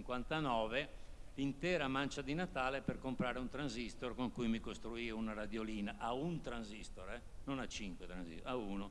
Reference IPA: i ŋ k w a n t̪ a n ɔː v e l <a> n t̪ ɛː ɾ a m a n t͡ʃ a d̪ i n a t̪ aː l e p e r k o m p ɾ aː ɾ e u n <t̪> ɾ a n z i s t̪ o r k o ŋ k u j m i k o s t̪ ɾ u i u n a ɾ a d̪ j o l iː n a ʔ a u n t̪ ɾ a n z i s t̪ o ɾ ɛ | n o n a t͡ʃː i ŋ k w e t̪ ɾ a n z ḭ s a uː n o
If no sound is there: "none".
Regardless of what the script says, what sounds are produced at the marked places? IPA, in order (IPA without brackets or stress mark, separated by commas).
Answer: i, t̪